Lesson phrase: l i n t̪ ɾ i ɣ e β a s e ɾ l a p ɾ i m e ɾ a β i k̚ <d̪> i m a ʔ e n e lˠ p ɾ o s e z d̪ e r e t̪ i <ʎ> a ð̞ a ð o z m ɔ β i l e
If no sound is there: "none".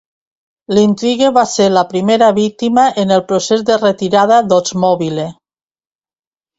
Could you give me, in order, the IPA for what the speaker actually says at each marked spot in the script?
t̪, ɾ

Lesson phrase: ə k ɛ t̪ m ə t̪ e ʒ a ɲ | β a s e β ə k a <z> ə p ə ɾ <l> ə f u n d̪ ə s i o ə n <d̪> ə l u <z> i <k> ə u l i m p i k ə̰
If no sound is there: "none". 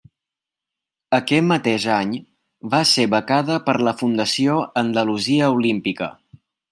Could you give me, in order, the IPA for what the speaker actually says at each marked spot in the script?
ð, l, d̪, z, none

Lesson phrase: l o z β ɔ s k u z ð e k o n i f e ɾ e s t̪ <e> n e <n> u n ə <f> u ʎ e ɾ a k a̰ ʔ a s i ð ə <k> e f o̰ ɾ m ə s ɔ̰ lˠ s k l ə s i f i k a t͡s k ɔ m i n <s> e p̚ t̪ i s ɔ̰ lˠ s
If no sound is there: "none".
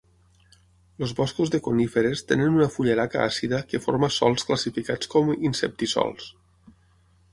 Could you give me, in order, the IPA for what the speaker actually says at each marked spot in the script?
e, n, f, k, s

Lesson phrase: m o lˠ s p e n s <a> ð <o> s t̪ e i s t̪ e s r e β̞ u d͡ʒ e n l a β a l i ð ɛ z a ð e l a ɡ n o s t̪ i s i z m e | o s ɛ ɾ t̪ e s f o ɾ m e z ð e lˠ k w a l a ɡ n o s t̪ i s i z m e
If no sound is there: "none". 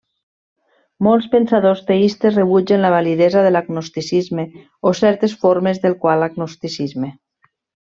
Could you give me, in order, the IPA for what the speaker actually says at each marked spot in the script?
a, o

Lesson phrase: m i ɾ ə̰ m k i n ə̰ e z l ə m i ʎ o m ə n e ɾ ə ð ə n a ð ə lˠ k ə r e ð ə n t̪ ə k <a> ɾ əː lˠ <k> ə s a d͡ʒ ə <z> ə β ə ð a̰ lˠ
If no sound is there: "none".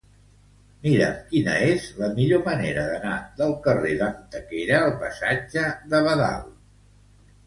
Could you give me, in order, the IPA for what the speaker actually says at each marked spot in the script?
e, p, ð

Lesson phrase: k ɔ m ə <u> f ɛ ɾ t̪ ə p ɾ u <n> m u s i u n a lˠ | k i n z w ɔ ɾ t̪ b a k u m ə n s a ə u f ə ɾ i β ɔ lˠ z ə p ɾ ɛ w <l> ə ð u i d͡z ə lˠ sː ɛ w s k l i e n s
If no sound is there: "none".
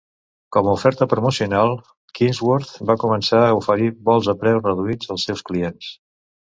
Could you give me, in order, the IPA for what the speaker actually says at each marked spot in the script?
u, none, r

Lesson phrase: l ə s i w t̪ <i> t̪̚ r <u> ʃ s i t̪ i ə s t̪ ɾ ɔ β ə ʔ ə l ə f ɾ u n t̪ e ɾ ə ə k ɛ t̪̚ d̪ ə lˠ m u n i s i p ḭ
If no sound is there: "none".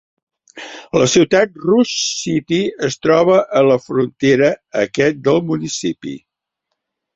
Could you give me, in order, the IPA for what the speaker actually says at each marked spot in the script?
a, u

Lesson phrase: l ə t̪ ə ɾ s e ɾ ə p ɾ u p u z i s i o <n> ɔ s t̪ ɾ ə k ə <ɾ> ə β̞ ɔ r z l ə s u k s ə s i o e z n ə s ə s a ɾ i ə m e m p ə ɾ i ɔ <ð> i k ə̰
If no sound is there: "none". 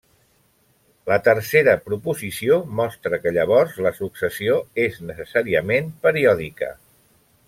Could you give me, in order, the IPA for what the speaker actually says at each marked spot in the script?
m, ʎ, ð

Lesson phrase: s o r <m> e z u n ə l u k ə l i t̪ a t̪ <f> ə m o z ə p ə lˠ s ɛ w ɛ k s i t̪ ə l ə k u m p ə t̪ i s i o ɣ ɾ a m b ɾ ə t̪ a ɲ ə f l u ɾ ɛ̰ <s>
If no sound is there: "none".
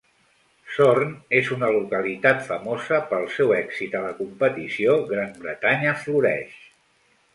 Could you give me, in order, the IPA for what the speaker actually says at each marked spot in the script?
n, f, ʃ

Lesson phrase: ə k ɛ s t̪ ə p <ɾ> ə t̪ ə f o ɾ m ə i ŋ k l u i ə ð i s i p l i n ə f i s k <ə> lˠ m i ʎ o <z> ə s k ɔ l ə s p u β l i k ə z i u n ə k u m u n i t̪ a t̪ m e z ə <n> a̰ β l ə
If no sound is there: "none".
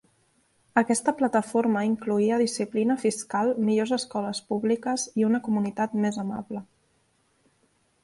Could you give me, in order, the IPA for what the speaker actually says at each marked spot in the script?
l, a, z, m

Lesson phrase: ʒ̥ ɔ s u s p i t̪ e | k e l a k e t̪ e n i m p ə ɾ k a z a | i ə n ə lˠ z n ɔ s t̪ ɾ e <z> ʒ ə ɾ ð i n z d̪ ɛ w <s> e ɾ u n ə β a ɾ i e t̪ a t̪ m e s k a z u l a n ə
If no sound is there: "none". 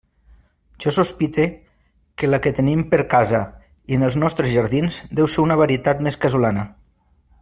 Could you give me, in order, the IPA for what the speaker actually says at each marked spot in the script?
z, s

